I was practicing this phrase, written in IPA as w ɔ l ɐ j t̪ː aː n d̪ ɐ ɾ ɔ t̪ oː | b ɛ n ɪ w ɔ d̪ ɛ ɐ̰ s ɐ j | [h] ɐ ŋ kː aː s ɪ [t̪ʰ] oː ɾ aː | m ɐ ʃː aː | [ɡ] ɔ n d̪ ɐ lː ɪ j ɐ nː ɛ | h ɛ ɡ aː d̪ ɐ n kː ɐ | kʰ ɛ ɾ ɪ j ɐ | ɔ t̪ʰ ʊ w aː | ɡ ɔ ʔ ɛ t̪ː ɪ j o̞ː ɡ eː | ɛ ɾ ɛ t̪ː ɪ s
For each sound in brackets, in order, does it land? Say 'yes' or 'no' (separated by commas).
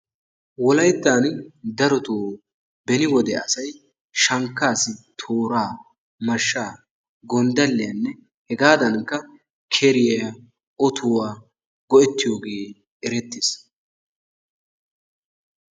no, yes, yes